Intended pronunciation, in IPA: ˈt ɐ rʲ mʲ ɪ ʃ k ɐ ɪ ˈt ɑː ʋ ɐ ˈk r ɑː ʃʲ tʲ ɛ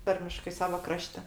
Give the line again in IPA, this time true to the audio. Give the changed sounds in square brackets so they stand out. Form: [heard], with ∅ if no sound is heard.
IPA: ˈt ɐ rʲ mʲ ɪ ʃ k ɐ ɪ [ˈs] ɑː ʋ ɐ ˈk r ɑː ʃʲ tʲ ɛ